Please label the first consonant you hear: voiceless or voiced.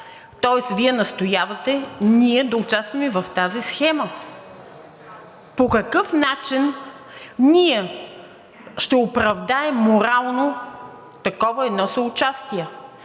voiceless